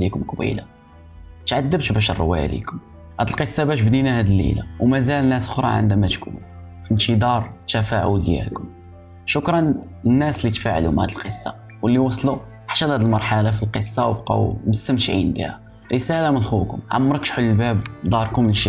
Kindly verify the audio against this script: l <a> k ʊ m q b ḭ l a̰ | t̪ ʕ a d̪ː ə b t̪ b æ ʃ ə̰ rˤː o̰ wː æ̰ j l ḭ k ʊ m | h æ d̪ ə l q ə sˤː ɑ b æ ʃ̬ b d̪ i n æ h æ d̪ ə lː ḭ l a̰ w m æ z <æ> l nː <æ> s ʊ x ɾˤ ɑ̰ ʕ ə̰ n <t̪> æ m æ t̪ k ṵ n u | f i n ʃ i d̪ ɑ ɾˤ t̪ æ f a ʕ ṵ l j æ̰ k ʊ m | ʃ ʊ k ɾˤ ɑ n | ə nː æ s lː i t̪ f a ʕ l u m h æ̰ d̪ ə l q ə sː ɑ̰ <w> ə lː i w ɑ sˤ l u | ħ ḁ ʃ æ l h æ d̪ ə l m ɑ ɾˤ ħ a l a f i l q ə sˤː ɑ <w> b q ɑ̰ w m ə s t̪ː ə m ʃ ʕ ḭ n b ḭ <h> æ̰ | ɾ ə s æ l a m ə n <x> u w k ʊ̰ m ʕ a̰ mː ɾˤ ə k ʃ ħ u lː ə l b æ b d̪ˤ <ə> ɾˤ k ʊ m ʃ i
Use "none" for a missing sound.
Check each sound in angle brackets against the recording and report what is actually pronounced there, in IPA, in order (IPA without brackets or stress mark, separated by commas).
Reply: i, æ, æ, d̪, w, w, h, x, ɑ